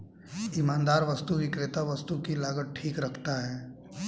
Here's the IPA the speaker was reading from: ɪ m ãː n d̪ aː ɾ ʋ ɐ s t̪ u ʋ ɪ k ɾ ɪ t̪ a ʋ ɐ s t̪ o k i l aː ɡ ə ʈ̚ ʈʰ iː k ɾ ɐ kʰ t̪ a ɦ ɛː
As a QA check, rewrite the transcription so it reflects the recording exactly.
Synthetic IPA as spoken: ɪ m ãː n d̪ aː ɾ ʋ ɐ s t̪ u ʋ ɪ k ɾ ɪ t̪ a ʋ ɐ s t̪ u k i l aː ɡ ə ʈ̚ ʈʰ iː k ɾ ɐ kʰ t̪ a ɦ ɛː